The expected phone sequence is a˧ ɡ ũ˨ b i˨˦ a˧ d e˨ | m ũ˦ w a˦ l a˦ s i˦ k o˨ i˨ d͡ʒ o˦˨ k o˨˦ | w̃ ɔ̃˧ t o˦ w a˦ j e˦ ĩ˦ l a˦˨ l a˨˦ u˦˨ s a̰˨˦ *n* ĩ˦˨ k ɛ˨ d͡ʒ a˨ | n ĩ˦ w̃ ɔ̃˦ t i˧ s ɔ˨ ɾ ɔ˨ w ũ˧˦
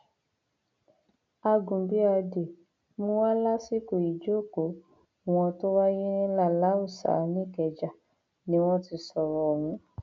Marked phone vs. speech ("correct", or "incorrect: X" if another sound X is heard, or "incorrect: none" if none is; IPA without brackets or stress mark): correct